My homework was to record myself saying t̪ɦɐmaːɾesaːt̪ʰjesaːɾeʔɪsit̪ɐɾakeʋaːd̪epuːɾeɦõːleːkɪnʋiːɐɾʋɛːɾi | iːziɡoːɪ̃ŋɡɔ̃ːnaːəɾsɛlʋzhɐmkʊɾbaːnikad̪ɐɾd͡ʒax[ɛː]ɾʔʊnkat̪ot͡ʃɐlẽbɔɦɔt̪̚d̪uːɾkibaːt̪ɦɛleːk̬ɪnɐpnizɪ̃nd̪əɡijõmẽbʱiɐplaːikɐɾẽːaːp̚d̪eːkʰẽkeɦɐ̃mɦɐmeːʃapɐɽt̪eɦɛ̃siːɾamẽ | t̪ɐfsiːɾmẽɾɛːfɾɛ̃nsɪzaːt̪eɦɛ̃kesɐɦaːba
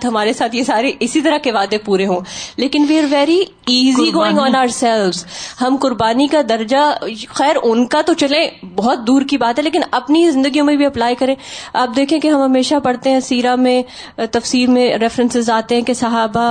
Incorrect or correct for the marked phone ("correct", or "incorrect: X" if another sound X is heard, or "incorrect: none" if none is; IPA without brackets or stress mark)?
correct